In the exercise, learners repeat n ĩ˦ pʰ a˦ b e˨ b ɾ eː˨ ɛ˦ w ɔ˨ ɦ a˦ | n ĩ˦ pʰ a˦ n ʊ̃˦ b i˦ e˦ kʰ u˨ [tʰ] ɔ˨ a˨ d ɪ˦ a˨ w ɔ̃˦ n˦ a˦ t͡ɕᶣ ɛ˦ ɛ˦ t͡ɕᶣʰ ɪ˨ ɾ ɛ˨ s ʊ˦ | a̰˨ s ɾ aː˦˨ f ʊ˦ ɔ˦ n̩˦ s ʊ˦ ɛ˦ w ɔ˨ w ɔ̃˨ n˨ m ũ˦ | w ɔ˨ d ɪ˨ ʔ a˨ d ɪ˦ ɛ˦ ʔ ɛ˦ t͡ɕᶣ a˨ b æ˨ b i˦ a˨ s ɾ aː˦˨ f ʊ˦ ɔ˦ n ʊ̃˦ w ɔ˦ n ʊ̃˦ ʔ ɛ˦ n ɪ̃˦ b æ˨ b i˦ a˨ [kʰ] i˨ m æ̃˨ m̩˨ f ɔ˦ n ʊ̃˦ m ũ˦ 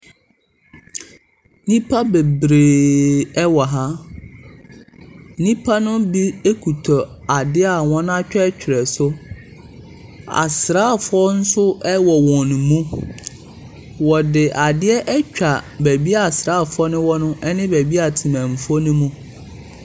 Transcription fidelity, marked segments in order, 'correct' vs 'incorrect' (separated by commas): correct, incorrect